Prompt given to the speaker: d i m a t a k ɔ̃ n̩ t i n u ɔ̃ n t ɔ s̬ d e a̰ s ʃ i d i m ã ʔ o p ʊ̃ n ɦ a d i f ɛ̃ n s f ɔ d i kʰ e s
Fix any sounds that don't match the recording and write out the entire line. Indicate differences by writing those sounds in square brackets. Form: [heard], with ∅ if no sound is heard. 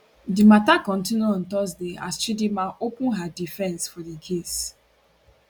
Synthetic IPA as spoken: d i m a t a k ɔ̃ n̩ t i n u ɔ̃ n t ɔ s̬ d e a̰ s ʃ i d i m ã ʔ o p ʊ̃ n ɦ a d i f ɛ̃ n s f ɔ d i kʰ e s